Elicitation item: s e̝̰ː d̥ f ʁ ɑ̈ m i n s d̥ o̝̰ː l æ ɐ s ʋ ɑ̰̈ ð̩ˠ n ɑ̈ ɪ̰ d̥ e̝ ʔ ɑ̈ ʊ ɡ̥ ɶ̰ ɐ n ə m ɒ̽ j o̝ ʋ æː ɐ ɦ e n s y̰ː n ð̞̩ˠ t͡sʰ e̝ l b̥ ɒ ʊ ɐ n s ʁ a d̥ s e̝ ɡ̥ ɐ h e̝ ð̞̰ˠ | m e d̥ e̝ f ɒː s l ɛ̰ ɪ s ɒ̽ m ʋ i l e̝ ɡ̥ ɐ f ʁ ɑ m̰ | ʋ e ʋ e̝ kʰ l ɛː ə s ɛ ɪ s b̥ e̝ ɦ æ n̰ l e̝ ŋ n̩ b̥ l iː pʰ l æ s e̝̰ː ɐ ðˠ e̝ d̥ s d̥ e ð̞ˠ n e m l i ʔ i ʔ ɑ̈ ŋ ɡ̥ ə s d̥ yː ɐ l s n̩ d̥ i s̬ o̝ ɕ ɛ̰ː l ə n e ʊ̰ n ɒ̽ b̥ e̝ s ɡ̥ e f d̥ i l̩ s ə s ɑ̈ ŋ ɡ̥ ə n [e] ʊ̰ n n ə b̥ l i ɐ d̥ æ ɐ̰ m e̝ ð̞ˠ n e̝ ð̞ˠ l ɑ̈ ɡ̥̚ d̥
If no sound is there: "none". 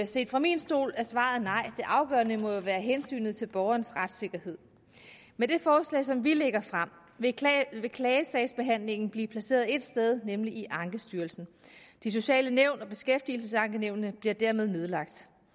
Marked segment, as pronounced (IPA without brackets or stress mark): e